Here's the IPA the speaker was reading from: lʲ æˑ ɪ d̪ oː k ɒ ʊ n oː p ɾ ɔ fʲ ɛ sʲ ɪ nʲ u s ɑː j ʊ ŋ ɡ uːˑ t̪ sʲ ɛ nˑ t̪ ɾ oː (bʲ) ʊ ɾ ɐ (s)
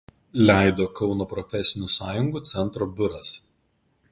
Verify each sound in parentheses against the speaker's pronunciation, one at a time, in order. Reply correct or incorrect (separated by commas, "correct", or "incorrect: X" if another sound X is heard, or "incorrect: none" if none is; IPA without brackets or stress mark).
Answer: correct, correct